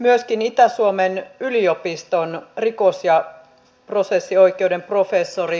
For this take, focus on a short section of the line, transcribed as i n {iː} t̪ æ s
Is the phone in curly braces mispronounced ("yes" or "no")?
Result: yes